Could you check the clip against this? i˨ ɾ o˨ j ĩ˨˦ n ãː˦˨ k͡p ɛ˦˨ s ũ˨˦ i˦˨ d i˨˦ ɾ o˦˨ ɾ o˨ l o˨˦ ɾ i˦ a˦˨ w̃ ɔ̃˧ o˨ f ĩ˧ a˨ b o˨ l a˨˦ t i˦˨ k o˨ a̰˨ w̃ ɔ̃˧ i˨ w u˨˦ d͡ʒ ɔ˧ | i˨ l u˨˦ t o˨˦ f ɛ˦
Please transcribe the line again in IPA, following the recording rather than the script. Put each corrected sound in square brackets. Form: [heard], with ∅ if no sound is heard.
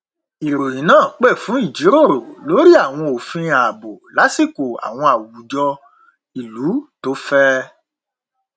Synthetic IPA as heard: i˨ ɾ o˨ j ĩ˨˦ n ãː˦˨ k͡p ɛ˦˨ [f] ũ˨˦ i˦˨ [d͡ʒ] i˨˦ ɾ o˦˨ ɾ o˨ l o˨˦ ɾ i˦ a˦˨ w̃ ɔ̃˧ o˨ f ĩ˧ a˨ b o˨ l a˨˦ [s] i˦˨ k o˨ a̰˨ w̃ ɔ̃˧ [a˨] w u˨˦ d͡ʒ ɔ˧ | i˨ l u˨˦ t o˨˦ f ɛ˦